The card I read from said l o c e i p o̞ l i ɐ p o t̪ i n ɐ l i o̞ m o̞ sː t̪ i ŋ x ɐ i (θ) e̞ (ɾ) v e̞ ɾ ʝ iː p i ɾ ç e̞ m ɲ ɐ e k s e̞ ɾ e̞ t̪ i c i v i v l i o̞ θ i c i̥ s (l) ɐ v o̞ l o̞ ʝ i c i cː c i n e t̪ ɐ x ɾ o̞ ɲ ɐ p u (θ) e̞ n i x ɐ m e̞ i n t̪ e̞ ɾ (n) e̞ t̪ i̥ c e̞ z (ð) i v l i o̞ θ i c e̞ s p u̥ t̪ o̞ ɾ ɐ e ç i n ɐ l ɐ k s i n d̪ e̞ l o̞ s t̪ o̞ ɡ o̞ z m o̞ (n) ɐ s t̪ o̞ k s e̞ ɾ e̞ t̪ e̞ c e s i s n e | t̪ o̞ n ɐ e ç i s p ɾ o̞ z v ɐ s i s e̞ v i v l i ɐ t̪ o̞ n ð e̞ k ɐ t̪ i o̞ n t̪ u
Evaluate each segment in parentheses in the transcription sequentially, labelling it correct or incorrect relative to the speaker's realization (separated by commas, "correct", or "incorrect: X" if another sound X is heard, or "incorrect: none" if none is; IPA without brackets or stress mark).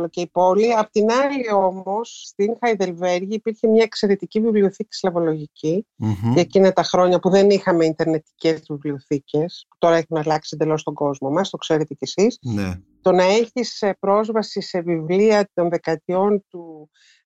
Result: incorrect: ð, incorrect: l, correct, incorrect: ð, correct, incorrect: v, incorrect: m